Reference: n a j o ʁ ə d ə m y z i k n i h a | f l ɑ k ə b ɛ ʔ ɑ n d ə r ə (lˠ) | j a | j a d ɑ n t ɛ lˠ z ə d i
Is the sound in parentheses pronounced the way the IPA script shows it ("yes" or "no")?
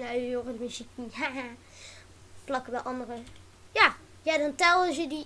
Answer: no